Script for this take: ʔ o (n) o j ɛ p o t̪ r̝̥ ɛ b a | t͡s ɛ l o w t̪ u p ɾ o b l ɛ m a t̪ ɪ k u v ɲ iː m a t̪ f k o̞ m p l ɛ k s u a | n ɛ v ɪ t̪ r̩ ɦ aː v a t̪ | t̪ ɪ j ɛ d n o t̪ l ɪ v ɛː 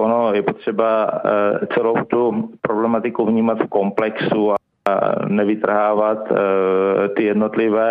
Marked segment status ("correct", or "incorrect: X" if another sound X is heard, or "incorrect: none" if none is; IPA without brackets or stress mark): correct